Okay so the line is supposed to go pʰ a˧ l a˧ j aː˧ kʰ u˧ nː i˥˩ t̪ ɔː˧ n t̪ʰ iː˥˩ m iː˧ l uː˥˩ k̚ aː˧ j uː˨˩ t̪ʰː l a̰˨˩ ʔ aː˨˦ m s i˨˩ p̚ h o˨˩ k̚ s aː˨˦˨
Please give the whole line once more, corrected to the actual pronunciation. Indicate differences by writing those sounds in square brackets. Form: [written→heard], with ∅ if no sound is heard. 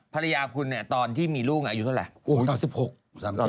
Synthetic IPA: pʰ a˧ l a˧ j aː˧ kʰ u˧ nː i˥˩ t̪ ɔː˧ n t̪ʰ iː˥˩ m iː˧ l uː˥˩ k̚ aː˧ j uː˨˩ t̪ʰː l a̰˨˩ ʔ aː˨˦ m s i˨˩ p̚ h o˨˩ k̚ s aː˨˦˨